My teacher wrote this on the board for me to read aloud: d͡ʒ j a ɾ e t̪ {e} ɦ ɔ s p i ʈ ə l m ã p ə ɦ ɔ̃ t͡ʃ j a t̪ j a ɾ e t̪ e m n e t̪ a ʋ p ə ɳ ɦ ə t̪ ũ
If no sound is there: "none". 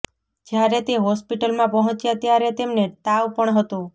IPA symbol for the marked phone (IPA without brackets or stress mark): e